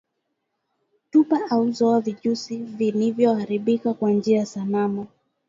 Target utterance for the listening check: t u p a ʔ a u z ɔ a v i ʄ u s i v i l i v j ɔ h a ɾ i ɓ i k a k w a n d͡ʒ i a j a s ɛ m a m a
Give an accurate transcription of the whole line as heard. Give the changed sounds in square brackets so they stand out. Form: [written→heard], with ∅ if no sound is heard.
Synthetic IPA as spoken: t u p a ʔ a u z ɔ a v i ʄ u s i v i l i v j ɔ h a ɾ i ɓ i k a k w a n d͡ʒ i a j a s [ɛ→a] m a m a